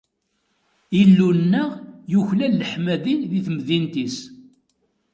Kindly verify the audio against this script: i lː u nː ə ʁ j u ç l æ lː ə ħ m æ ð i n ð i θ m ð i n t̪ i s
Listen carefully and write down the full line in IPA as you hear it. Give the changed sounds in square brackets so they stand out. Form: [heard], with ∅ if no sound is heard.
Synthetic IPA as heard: i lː u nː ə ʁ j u ç l æ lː ə ħ m æ ð i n ð i θ m ð i n t̪ i s